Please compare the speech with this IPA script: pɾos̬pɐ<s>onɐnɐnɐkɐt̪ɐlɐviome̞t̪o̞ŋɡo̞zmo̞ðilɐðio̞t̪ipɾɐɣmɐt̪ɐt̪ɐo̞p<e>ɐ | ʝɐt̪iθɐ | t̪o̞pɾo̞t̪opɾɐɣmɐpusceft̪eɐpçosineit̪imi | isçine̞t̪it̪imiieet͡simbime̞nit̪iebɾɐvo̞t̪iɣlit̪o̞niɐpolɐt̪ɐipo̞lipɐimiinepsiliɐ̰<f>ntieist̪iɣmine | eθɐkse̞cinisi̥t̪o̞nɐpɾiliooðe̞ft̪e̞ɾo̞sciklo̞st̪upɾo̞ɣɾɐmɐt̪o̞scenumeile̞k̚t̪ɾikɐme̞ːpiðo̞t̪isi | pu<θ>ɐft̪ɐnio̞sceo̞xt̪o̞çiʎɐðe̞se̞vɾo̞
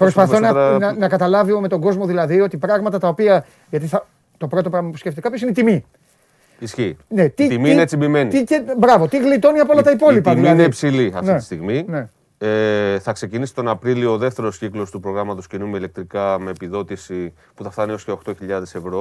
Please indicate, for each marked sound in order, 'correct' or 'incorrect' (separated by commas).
incorrect, incorrect, correct, correct